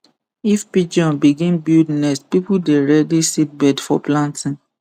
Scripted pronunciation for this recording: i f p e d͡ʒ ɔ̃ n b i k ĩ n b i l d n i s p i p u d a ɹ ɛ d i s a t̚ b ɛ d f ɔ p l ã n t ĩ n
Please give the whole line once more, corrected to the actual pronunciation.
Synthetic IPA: i f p i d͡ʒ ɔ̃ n b i ɡ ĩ n b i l d n ɛ s p i p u d e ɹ ɛ d i s i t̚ b ɛ d f ɔ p l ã n t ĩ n